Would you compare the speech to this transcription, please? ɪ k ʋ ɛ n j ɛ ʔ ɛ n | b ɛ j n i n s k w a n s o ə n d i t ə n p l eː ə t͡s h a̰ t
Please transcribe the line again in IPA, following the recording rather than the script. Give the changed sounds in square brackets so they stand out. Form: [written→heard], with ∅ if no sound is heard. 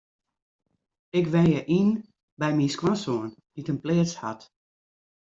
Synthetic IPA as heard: ɪ k ʋ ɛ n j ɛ ʔ [ɛ→i] n | b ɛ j [n→m] i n s k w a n s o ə n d i t ə n p l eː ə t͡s h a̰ t